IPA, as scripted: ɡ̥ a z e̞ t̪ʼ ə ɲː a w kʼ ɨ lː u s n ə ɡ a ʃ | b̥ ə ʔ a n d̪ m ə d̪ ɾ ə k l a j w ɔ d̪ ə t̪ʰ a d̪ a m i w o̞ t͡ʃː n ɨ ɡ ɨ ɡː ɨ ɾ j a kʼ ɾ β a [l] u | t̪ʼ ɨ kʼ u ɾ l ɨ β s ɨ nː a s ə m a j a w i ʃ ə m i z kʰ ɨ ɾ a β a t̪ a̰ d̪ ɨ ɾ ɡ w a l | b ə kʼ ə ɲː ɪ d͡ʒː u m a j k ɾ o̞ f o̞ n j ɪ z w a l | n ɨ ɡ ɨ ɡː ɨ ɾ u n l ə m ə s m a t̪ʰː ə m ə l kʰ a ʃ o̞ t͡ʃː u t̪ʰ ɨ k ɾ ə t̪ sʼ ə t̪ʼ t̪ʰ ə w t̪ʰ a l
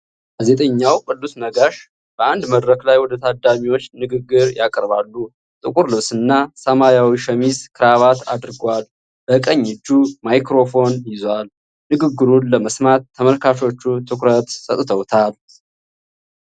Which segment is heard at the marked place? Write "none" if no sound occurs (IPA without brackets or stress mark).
lː